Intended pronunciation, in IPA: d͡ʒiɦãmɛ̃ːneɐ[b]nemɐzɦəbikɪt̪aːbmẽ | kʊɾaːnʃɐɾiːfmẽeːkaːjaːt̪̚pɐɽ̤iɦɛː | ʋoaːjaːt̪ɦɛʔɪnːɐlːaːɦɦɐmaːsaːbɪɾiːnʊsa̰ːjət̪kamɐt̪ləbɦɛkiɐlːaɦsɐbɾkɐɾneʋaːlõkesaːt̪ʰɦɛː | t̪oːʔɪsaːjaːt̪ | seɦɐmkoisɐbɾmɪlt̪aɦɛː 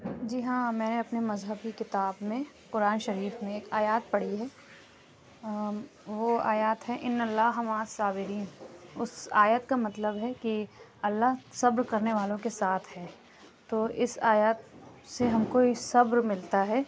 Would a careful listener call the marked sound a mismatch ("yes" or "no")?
yes